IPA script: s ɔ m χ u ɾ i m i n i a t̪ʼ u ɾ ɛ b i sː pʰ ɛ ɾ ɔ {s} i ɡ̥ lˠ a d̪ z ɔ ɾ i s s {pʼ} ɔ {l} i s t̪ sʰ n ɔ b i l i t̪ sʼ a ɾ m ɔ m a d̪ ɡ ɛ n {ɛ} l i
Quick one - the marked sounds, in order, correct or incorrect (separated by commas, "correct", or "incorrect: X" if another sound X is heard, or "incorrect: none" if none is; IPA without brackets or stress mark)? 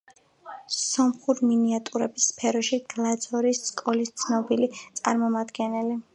incorrect: ʃ, incorrect: kʼ, correct, correct